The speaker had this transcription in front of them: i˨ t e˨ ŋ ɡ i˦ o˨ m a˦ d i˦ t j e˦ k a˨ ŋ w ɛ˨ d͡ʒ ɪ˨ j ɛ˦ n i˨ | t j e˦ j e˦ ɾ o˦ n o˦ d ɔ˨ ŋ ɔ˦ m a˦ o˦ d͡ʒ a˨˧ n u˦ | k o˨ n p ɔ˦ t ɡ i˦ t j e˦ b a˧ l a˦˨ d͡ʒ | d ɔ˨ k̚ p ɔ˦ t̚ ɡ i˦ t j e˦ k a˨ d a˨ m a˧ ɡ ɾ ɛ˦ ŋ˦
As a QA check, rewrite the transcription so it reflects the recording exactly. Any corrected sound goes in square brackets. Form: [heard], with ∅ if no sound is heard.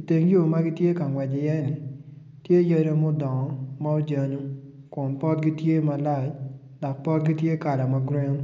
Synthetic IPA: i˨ t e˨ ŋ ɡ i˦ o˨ m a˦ [ɡ] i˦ t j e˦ k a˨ ŋ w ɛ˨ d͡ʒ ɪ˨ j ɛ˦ n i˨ | t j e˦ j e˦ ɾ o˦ [m] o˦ d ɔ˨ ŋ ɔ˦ m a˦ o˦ d͡ʒ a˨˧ n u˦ | k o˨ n p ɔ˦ t ɡ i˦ t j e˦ [m] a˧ l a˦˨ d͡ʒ | d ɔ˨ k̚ p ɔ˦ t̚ ɡ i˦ t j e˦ k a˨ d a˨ m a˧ ɡ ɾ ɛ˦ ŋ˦